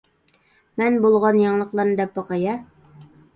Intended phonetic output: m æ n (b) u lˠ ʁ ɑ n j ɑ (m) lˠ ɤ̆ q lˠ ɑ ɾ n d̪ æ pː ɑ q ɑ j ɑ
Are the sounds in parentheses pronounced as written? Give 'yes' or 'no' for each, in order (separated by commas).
yes, no